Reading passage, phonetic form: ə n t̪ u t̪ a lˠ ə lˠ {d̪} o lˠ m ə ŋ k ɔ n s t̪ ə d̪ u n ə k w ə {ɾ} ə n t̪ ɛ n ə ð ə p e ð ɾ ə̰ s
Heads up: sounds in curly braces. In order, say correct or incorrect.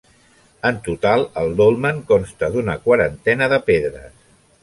correct, correct

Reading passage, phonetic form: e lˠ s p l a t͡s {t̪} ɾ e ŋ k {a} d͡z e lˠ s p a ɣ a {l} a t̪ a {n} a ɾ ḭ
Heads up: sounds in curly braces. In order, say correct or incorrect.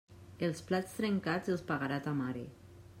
correct, correct, incorrect: ɾ, incorrect: m

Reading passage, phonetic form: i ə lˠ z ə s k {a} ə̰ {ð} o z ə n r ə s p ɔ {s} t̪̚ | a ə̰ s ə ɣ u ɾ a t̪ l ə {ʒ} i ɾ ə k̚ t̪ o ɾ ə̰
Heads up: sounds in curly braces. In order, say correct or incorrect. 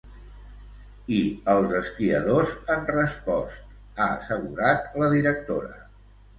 incorrect: i, correct, correct, incorrect: ð

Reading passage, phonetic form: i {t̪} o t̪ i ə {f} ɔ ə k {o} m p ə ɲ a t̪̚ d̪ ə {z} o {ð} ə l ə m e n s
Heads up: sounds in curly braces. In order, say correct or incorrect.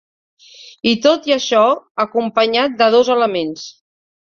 correct, incorrect: ʃ, incorrect: u, incorrect: ð, incorrect: z

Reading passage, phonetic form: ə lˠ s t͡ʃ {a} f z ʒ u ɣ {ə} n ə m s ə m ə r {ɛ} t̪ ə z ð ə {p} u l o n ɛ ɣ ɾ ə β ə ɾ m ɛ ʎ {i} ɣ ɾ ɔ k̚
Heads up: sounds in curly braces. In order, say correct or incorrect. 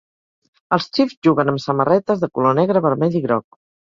incorrect: i, correct, correct, incorrect: k, correct

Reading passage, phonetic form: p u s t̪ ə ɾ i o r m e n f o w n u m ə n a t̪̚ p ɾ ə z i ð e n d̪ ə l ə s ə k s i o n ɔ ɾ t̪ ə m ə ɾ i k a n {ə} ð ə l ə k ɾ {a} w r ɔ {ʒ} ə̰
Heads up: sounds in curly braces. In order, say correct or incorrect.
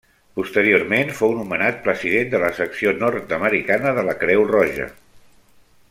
correct, incorrect: ɛ, correct

